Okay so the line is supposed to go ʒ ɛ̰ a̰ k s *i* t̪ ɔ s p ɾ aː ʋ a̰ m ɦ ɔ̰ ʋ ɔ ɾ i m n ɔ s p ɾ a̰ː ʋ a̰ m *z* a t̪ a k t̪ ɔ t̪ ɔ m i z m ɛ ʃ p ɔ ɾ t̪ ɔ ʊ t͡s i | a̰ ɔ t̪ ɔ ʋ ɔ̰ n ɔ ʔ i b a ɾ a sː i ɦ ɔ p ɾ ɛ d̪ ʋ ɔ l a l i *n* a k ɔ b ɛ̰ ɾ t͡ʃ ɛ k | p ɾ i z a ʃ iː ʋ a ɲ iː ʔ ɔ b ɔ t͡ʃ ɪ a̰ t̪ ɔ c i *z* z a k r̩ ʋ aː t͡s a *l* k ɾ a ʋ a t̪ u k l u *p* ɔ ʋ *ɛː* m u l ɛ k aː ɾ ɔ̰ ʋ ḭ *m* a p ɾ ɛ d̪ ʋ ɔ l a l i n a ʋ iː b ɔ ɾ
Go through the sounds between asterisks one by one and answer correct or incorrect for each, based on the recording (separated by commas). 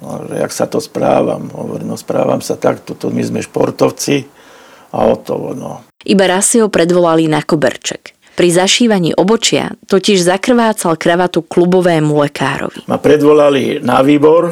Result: incorrect, incorrect, correct, incorrect, correct, incorrect, correct, correct